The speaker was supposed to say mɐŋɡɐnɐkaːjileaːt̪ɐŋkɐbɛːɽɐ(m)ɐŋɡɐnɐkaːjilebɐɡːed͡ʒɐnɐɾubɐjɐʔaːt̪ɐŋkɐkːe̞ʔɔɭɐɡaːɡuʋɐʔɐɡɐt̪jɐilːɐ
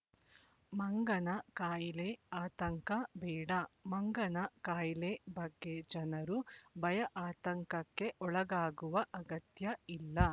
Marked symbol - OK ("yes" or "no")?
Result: yes